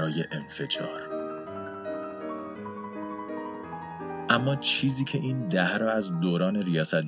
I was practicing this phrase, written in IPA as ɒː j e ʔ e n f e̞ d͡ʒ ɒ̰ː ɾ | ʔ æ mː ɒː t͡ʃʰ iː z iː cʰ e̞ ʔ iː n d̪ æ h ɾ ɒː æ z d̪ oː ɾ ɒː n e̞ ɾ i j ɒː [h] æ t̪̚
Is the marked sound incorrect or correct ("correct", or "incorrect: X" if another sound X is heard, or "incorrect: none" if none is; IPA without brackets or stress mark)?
incorrect: s